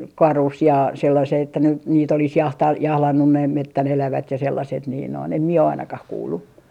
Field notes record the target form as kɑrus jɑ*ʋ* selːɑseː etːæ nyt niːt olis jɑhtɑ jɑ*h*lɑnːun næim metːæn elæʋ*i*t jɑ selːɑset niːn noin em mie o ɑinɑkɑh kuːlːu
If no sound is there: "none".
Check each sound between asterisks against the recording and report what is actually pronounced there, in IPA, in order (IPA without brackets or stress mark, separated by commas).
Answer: none, h, æ